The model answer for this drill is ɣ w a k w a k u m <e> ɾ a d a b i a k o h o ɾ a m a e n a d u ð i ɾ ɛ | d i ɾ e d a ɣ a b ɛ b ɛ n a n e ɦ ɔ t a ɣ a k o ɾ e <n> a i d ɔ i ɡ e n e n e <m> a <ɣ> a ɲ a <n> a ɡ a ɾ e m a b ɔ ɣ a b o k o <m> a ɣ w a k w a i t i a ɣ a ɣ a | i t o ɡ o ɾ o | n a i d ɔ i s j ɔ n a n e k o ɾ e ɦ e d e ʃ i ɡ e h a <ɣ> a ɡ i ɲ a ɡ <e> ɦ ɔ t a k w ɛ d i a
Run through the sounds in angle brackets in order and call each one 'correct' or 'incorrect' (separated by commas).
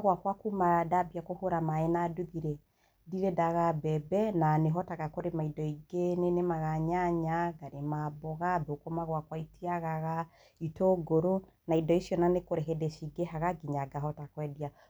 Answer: incorrect, incorrect, correct, correct, incorrect, correct, correct, incorrect